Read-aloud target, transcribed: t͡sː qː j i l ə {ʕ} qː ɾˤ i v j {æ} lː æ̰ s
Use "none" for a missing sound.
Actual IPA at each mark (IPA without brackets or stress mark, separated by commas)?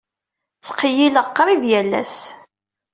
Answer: ʁ, æ